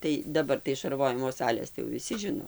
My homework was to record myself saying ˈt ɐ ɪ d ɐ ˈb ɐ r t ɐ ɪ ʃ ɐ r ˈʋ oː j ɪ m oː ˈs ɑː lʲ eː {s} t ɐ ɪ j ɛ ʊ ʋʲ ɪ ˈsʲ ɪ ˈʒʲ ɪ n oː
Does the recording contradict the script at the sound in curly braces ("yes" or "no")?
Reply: no